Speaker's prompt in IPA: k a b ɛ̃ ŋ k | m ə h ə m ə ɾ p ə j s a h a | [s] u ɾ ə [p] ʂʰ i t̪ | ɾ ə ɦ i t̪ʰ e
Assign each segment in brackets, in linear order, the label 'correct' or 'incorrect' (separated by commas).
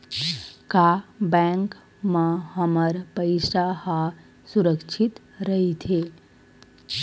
correct, incorrect